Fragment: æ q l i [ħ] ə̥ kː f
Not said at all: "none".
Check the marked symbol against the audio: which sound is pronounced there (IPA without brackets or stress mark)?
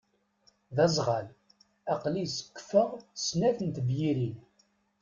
s